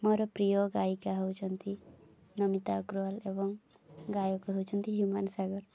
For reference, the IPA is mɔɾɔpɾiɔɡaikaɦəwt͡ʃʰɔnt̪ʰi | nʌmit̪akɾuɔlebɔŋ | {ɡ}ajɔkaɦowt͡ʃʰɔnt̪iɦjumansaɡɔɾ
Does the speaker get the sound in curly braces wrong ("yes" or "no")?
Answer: no